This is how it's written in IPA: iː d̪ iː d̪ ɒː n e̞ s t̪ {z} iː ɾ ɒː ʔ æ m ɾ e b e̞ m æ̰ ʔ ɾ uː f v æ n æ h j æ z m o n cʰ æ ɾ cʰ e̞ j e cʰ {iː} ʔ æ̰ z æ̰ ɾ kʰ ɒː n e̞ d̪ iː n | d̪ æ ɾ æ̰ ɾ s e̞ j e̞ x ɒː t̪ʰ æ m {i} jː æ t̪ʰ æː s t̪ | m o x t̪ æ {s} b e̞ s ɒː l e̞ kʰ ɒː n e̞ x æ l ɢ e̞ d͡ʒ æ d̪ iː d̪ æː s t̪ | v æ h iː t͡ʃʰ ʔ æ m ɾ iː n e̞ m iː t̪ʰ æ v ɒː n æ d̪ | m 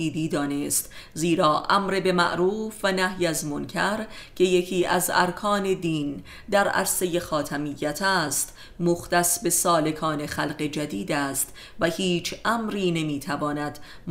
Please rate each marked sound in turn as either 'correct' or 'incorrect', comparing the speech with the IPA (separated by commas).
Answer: correct, correct, correct, correct